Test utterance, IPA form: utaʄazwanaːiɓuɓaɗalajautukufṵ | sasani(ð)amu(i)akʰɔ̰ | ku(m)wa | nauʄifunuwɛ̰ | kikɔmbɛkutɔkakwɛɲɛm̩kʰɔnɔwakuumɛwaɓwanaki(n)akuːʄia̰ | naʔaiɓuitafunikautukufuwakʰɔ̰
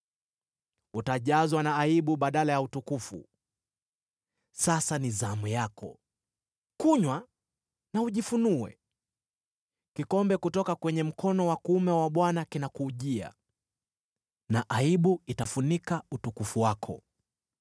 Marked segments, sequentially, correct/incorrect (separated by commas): incorrect, incorrect, incorrect, correct